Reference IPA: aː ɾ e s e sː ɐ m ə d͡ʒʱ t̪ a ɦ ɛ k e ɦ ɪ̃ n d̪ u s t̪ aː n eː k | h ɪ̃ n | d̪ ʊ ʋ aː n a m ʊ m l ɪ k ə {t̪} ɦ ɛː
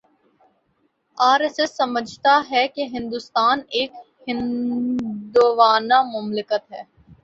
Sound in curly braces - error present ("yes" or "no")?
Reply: no